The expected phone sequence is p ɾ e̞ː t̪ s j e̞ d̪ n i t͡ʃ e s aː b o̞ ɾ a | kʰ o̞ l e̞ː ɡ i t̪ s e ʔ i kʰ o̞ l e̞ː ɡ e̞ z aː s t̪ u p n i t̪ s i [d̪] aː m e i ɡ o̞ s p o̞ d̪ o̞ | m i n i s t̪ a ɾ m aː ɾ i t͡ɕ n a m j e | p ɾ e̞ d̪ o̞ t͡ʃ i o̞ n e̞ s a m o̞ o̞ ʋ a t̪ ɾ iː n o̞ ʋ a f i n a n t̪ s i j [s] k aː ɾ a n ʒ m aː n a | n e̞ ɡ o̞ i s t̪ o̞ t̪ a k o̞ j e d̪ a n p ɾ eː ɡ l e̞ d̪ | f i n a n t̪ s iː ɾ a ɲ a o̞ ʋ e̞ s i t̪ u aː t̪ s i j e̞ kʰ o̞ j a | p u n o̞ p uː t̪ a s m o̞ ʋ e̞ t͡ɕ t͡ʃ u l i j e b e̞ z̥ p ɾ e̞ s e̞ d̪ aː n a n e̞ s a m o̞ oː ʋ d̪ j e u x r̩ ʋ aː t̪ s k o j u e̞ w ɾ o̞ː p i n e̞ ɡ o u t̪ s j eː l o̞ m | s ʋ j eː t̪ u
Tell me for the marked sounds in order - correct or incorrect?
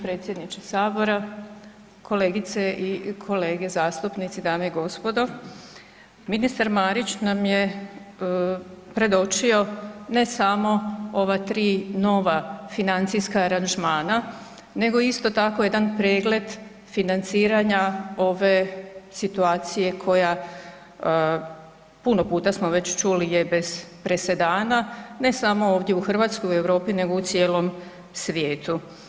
correct, correct

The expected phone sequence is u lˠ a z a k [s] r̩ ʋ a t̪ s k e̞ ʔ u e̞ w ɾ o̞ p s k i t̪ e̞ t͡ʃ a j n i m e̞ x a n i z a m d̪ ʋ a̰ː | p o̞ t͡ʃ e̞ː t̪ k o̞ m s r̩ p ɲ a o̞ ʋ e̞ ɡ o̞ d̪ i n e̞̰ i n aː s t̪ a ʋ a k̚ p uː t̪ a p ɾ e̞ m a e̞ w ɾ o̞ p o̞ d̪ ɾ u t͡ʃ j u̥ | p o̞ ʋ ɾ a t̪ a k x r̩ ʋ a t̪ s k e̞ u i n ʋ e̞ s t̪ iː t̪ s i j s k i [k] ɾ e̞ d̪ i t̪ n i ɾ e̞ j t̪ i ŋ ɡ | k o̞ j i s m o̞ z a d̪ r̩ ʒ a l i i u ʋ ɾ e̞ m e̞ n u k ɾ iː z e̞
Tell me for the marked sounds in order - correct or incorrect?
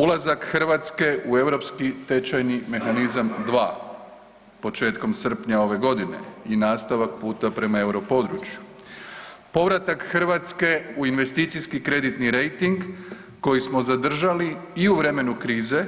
incorrect: x, correct

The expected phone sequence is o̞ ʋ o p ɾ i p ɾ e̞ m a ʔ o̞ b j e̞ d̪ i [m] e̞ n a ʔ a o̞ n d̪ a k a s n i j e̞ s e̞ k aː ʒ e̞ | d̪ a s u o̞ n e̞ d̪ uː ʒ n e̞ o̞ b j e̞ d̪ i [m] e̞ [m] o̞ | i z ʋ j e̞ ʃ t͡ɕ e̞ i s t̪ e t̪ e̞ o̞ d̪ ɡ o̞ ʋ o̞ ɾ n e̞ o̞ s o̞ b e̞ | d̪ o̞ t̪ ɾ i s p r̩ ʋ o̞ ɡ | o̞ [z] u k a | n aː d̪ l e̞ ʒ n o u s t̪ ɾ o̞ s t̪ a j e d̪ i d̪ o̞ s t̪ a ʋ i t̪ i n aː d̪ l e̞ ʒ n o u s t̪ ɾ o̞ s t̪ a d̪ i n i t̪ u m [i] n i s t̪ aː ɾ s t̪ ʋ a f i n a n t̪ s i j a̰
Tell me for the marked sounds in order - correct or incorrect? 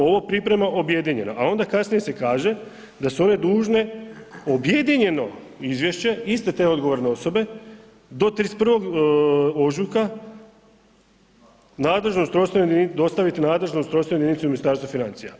incorrect: ɲ, incorrect: ɲ, incorrect: n, incorrect: ʒ, correct

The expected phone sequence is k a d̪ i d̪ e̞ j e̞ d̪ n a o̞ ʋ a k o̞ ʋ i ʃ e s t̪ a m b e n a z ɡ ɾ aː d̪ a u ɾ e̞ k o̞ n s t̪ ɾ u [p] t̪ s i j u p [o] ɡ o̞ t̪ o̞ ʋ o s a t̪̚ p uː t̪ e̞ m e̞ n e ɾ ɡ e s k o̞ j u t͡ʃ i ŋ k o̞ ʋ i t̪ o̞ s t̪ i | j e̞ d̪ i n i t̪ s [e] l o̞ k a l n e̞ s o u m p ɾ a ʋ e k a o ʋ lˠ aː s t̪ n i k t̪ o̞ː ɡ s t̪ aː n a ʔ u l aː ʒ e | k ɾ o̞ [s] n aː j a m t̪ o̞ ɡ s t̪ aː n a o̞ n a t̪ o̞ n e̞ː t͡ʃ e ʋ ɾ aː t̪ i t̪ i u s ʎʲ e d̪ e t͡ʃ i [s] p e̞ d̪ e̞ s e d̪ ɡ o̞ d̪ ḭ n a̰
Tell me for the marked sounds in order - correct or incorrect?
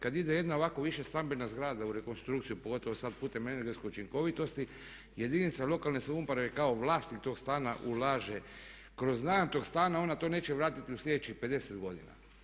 incorrect: k, correct, incorrect: a, incorrect: z, incorrect: x

